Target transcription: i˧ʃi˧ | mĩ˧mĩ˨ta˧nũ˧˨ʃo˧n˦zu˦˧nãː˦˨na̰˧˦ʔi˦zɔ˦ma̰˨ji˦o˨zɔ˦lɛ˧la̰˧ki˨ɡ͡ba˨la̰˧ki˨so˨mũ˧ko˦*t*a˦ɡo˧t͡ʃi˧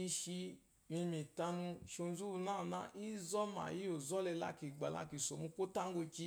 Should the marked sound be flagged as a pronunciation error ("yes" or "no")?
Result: no